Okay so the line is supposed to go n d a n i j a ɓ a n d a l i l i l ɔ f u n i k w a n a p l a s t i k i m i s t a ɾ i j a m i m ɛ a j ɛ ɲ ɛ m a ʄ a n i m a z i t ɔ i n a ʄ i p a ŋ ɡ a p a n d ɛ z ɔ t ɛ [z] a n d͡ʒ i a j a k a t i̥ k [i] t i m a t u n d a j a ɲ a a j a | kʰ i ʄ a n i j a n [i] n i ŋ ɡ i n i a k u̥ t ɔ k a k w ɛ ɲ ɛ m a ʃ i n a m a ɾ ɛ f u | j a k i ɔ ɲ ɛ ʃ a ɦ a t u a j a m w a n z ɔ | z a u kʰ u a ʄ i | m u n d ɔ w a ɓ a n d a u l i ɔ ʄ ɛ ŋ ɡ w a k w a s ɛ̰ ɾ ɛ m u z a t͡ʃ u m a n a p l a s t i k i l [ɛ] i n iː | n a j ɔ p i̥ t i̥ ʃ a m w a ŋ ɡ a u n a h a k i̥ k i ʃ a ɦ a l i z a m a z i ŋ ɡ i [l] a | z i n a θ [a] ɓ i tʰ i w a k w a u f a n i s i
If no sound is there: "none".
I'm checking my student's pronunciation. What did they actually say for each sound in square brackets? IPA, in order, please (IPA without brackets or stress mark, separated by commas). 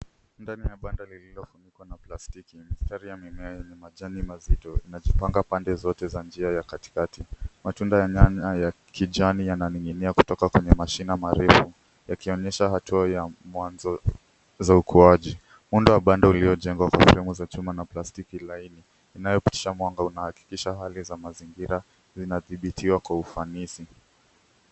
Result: z, a, a, a, ɾ, i